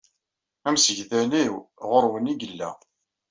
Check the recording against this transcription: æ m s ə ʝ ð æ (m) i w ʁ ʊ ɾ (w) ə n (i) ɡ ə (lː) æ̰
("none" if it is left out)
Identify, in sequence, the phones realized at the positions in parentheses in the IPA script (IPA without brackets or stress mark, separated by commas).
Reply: n, w, i, lː